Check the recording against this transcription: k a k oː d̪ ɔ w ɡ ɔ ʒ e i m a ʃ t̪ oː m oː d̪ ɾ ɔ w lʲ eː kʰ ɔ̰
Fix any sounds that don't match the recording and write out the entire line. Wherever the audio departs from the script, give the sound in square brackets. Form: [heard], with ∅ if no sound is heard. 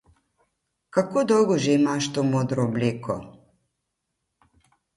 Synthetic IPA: k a k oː d̪ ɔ w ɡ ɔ ʒ e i m a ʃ t̪ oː m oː d̪ ɾ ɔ [b] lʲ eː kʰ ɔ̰